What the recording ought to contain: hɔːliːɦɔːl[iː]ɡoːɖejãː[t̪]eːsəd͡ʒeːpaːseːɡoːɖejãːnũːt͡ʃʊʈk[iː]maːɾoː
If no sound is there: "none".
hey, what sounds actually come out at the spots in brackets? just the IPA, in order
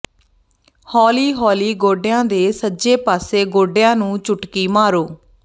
iː, d̪, iː

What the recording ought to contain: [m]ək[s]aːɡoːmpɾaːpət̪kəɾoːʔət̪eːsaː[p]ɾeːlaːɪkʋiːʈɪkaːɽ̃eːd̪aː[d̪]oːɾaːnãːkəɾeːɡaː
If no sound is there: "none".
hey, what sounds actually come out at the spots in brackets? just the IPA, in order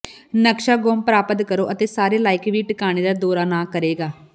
n, ʃ, none, d̪

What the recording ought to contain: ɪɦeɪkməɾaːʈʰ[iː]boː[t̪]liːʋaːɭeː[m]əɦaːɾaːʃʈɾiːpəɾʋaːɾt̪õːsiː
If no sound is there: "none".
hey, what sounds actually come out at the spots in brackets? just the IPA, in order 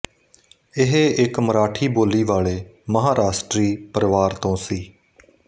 iː, none, m

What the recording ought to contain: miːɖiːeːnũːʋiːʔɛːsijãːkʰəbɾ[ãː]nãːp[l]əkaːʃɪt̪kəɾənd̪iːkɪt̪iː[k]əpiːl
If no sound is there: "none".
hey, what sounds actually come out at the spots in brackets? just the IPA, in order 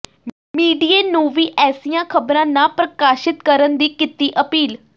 ãː, ɾ, ʔ

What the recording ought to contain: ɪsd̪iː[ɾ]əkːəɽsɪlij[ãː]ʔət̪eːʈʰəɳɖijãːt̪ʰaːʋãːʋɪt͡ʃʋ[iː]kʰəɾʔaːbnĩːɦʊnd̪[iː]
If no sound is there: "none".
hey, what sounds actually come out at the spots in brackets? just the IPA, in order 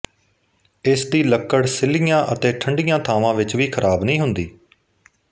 l, ãː, iː, iː

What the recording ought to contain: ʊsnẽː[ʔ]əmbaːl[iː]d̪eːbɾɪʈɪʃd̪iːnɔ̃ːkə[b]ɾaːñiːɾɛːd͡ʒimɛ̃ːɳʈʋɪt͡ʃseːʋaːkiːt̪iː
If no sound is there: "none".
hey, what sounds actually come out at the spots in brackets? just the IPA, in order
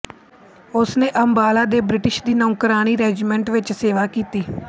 ʔ, aː, none

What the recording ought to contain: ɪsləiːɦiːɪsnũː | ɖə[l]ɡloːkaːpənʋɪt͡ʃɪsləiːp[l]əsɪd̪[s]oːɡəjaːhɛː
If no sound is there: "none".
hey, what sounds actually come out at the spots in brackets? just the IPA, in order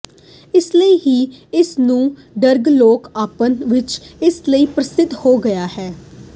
ɾ, ɾ, h

